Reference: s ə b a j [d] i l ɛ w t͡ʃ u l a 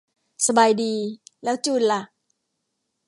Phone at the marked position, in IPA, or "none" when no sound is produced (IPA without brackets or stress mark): d